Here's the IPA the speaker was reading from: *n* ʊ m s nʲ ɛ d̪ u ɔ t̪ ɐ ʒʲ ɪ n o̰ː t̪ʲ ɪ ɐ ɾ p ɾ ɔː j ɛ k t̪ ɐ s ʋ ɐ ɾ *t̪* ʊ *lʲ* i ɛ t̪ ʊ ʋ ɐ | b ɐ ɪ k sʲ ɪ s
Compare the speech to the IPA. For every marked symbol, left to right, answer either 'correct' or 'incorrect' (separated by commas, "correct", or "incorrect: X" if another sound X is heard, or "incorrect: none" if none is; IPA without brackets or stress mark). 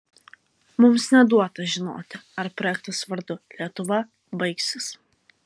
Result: incorrect: m, incorrect: d̪, correct